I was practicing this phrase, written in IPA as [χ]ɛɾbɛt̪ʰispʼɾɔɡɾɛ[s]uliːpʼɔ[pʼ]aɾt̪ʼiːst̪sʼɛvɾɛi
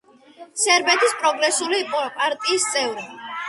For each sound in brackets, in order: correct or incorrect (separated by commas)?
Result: incorrect, correct, correct